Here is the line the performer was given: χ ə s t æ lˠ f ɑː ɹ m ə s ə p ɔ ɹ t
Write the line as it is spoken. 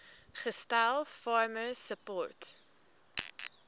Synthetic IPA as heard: χ ə s t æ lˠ f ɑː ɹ m ə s ə p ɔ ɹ t